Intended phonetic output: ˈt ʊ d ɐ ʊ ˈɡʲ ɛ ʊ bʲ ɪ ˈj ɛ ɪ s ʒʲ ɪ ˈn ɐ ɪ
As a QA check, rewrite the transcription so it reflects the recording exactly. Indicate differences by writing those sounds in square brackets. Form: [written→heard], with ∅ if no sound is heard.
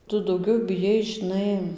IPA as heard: ˈt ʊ d ɐ ʊ ˈɡʲ ɛ ʊ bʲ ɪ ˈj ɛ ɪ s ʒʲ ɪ ˈn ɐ ɪ